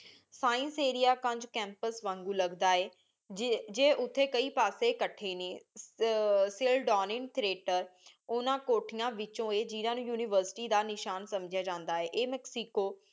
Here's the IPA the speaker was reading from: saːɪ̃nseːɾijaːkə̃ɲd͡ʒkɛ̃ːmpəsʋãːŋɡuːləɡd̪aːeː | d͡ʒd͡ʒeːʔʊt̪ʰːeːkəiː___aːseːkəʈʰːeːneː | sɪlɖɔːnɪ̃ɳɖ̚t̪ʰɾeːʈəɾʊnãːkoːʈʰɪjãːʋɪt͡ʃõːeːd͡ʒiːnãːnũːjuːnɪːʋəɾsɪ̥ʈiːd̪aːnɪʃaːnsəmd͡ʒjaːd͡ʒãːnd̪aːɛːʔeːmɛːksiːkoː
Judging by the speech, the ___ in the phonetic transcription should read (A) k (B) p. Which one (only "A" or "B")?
B